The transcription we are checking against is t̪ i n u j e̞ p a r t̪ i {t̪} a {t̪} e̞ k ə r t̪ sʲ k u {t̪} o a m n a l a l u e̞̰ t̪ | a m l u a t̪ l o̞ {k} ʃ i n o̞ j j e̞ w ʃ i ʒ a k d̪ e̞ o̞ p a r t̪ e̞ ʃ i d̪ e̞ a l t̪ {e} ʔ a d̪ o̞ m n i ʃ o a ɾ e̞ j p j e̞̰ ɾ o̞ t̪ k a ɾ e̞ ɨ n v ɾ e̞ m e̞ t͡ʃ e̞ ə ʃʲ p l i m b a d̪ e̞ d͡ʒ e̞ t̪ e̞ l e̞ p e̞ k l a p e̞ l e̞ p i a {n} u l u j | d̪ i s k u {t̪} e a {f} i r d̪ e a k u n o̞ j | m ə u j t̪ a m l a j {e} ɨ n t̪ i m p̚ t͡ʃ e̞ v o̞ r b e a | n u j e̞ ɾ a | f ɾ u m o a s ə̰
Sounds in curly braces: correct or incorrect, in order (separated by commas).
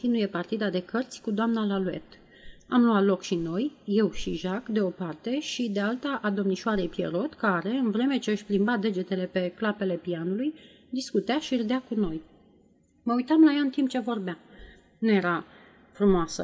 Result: incorrect, incorrect, incorrect, correct, incorrect, correct, correct, incorrect, incorrect